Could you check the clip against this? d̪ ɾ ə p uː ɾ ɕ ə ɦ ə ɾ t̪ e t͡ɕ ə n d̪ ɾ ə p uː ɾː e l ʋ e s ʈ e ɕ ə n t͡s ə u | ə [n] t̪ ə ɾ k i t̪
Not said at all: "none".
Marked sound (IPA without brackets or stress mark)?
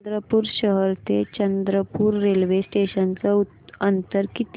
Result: n